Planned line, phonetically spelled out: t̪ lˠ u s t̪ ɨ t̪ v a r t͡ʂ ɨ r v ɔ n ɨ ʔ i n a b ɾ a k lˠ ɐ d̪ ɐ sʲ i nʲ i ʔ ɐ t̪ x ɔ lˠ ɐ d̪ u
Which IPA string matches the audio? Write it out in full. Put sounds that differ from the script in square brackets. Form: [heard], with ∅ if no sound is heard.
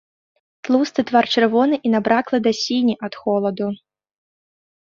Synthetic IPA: t̪ lˠ u s t̪ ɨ t̪ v a r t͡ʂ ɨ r v ɔ n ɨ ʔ i n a b ɾ a k lˠ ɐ d̪ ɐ sʲ i nʲ i ʔ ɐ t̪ x ɔ lˠ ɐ d̪ u